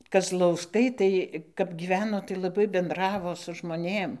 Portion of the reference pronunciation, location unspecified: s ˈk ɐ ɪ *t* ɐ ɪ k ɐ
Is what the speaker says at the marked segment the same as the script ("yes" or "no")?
yes